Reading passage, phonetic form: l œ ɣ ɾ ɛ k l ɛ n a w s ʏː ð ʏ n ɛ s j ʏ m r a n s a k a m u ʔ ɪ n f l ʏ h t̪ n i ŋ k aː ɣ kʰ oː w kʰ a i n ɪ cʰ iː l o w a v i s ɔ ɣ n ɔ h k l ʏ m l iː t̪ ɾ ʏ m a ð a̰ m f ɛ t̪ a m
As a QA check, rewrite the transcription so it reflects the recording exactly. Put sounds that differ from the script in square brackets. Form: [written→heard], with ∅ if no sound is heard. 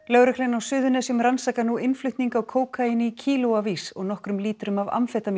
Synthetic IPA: l œ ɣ ɾ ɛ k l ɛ n a w s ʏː ð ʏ n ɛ s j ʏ m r a n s a k a [m→n] u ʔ ɪ n f l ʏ h t̪ n i ŋ k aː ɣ kʰ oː w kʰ a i n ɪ cʰ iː l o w a v i s ɔ ɣ n ɔ h k [l→ɾ] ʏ m l iː t̪ ɾ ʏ m a [ð→v] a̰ m f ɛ t̪ a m